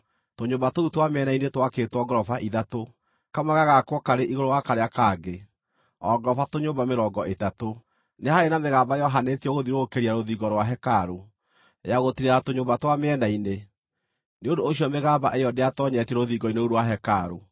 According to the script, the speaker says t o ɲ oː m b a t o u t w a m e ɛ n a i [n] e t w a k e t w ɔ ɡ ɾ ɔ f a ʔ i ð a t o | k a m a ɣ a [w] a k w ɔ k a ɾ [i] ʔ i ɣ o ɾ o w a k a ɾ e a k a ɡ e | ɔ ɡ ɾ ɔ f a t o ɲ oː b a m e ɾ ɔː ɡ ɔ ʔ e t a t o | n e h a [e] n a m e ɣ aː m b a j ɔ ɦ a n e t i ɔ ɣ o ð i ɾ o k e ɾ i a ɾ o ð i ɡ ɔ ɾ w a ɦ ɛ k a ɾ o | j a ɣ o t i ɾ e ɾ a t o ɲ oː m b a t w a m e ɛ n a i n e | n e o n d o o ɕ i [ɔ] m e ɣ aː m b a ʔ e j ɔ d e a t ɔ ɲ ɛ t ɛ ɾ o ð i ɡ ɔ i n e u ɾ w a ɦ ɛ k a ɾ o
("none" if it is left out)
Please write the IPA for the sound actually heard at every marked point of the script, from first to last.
n, ɣ, e, e, ɔ

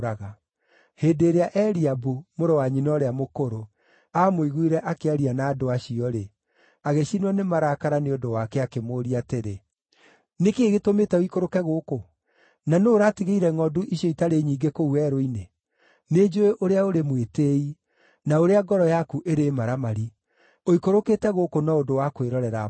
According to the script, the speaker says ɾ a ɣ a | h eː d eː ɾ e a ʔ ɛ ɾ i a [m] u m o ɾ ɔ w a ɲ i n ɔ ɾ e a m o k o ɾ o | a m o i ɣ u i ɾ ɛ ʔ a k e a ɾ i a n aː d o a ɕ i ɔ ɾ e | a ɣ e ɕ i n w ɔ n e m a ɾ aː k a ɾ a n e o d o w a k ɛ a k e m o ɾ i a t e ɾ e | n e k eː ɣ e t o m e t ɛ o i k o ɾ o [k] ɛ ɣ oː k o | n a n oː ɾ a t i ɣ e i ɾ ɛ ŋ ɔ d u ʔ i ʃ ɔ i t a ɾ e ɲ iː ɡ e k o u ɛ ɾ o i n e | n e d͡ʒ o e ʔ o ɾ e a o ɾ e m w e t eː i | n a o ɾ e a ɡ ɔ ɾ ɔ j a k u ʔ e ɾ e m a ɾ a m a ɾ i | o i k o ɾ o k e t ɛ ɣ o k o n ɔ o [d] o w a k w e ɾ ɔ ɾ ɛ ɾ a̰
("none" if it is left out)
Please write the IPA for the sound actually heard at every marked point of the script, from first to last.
b, k, d

